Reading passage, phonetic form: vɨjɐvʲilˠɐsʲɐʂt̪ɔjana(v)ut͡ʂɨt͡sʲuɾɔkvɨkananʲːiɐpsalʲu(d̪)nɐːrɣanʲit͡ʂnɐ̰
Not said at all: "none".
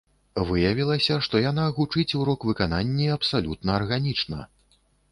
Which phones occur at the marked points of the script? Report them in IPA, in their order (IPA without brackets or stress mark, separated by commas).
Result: ɣ, t̪